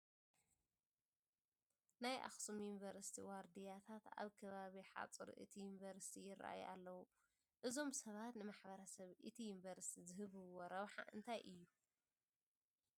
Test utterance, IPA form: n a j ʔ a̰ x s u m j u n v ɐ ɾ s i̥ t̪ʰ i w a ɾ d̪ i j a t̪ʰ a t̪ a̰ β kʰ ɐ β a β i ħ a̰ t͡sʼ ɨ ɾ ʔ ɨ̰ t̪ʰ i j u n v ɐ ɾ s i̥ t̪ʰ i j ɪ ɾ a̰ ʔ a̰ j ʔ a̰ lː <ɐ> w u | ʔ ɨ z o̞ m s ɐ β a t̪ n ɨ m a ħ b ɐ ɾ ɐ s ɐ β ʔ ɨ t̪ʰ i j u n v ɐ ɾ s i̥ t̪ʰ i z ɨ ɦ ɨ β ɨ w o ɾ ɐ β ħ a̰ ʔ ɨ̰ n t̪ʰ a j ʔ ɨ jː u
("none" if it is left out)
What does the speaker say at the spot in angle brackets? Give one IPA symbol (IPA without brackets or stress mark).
ɐ